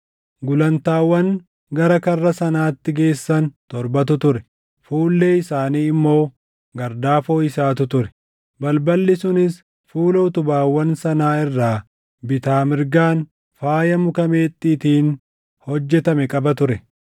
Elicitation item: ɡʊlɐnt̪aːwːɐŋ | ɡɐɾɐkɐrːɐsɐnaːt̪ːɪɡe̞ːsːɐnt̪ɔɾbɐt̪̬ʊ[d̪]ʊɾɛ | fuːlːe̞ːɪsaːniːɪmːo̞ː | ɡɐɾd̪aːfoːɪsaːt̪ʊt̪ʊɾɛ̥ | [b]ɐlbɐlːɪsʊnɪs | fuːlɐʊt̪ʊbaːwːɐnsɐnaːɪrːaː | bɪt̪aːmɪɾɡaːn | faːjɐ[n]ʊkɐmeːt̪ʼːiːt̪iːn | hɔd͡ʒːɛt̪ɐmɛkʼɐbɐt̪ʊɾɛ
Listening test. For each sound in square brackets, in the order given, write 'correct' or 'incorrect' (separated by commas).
incorrect, correct, incorrect